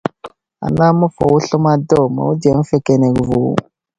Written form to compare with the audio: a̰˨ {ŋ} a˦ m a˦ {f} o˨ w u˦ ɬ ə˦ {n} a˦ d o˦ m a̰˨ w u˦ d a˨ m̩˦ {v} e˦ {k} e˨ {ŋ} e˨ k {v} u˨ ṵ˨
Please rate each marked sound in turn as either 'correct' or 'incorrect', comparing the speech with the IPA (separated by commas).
incorrect, correct, incorrect, incorrect, correct, incorrect, correct